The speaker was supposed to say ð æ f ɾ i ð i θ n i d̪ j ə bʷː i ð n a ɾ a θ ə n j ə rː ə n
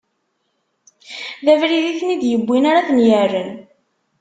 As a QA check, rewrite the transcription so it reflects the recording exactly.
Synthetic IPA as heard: ð æ v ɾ i ð i θ n i d̪ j ə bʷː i n a ɾ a θ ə n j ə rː ə n